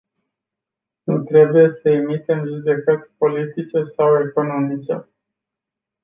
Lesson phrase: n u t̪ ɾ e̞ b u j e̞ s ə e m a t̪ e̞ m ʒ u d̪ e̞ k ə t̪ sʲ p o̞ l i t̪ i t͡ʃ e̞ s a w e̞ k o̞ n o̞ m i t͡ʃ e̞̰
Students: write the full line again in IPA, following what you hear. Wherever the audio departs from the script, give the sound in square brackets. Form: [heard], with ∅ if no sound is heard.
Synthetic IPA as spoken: n u t̪ ɾ e̞ b u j e̞ s ə e m [i] t̪ e̞ m ʒ u d̪ e̞ k ə t̪ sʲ p o̞ l i t̪ i t͡ʃ e̞ s a w e̞ k o̞ n o̞ m i t͡ʃ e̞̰

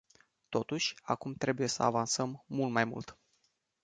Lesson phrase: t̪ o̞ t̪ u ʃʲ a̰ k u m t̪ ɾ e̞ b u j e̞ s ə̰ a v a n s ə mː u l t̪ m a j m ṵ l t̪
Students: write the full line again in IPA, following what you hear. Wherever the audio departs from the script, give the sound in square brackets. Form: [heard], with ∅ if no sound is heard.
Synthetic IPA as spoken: t̪ o̞ t̪ u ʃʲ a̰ k u m t̪ ɾ e̞ b u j e̞ s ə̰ a v a n s ə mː u l t̪ m a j m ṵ l t̪

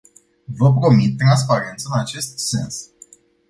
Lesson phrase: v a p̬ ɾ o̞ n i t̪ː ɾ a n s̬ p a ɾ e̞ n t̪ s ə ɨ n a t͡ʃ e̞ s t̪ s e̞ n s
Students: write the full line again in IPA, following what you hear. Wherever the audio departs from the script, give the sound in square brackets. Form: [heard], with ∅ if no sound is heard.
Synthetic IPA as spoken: v [ə] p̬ ɾ o̞ [m] i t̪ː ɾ a n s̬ p a ɾ e̞ n t̪ s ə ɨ n a t͡ʃ e̞ s t̪ s e̞ n s

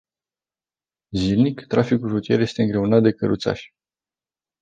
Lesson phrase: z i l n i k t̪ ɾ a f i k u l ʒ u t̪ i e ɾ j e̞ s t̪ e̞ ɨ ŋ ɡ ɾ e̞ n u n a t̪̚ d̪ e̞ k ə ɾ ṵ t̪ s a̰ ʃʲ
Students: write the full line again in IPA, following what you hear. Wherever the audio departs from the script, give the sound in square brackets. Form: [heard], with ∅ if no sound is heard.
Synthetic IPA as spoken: z i l n i k t̪ ɾ a f i k u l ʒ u t̪ i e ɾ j e̞ s t̪ e̞ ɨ ŋ ɡ ɾ e̞ [∅] u n a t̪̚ d̪ e̞ k ə ɾ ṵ t̪ s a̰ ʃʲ

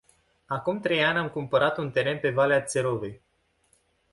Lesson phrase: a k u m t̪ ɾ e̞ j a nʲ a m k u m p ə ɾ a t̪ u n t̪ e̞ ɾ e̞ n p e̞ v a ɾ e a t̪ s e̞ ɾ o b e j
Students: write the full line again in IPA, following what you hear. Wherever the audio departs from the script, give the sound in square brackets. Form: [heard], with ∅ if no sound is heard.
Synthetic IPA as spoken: a k u m t̪ ɾ e̞ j a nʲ a m k u m p ə ɾ a t̪ u n t̪ e̞ ɾ e̞ n p e̞ v a [l] e a t̪ s e̞ ɾ o [v] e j

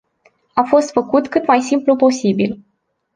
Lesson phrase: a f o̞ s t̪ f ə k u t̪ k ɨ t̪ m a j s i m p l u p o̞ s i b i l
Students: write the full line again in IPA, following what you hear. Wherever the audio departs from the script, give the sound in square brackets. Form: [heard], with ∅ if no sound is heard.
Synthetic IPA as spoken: a f o̞ s t̪ f ə k u t̪ k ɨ t̪ m a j s i m p l u p o̞ s i b i l

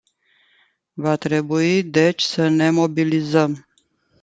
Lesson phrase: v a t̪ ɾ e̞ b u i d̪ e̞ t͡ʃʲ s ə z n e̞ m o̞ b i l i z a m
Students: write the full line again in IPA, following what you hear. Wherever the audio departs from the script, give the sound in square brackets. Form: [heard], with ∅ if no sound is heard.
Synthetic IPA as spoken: v a t̪ ɾ e̞ b u i d̪ e̞ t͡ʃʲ s ə [∅] n e̞ m o̞ b i l i z [ə] m

